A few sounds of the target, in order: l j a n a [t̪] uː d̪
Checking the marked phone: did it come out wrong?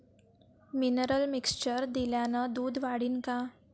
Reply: yes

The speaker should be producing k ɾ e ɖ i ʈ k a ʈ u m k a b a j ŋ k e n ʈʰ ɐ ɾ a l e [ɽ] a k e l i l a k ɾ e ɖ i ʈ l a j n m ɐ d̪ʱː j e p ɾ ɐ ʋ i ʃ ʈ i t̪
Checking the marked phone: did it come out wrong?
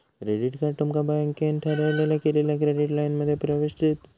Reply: yes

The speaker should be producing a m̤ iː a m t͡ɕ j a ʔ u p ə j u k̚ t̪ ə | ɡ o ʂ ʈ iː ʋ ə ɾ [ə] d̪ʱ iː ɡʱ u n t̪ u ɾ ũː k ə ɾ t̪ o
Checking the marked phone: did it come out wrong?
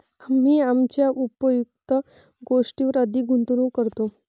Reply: no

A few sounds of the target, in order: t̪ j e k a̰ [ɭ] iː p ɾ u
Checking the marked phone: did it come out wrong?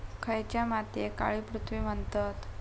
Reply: no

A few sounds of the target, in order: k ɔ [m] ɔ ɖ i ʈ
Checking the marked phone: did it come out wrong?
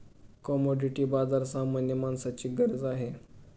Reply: no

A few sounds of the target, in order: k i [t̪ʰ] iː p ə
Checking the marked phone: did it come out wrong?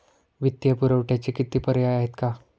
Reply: yes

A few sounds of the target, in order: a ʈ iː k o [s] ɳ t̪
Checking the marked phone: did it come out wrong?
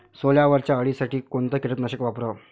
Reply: yes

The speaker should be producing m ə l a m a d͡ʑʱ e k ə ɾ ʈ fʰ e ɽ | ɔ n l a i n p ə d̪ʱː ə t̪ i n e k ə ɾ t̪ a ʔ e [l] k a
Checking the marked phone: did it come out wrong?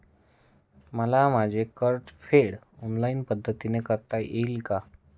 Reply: no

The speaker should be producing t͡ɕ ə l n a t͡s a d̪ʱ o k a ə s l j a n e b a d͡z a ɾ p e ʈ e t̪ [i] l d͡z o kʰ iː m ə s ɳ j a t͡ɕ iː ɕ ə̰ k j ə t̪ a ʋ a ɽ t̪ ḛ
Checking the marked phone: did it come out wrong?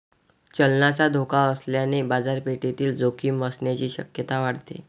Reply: yes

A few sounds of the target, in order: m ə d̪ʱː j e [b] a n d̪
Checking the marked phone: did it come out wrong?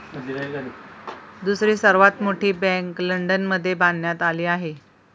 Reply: no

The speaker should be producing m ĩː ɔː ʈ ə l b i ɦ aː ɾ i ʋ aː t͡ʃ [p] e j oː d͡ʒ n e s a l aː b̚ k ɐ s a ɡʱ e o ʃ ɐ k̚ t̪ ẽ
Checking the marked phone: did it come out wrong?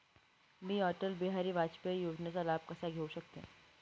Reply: no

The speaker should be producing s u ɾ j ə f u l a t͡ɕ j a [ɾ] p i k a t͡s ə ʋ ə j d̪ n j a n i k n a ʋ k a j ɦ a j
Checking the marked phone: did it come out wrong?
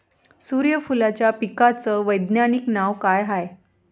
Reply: yes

